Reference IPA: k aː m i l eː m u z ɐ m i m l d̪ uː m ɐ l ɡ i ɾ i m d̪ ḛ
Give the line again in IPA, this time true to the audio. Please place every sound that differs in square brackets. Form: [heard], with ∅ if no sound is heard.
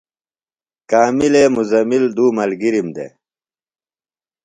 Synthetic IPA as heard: k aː m i l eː m u z ɐ m i [∅] l d̪ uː m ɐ l ɡ i ɾ i m d̪ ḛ